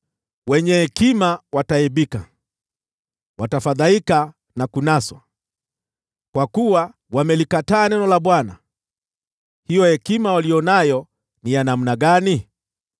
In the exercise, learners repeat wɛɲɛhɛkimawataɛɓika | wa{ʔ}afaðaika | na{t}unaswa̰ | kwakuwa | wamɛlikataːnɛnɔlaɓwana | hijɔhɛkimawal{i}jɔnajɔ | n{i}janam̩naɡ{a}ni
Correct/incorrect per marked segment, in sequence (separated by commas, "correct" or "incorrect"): incorrect, incorrect, correct, correct, correct